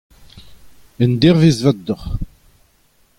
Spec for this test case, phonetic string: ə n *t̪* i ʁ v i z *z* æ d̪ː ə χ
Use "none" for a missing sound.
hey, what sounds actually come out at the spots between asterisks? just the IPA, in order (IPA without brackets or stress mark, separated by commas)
d̪, v